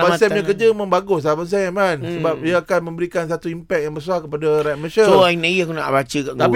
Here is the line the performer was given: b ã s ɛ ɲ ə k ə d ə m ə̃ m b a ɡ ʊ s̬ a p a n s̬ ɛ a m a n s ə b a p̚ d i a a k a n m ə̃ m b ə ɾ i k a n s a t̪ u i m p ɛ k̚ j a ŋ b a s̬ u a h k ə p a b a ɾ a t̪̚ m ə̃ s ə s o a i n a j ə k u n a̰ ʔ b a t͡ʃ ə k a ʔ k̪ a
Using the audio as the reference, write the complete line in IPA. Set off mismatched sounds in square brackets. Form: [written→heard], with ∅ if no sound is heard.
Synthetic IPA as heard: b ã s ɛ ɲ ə k ə [d→d͡ʒ] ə m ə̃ m b a ɡ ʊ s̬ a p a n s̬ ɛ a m a n s ə b a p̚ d i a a k a n m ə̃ m b ə ɾ i k a n s a t̪ u i m p ɛ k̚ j a ŋ b [a→ə] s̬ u a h k ə p a [b→d] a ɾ a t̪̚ m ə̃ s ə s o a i n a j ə k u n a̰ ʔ b a t͡ʃ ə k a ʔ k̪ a